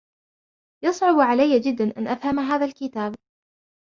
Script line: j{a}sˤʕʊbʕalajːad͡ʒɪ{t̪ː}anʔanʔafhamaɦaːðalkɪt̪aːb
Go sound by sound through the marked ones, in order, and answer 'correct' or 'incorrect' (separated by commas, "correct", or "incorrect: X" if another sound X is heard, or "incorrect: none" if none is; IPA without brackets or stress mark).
incorrect: ɑ, incorrect: d̪ː